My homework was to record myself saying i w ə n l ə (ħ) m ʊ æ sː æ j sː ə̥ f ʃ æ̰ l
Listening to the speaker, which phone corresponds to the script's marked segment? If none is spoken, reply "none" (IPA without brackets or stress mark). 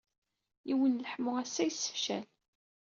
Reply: ħ